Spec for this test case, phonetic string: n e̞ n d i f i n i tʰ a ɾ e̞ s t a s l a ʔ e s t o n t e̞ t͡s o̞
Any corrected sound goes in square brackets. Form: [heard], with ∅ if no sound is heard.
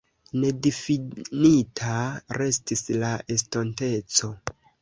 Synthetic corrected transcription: n e̞ [∅] d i f i n i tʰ a ɾ e̞ s t [i] s l a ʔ e s t o n t e̞ t͡s o̞